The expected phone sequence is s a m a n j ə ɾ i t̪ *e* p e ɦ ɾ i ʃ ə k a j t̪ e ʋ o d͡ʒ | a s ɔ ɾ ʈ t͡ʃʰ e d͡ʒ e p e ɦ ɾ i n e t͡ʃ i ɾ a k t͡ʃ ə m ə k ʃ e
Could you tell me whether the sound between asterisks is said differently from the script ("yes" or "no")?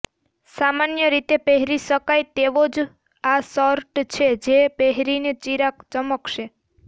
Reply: no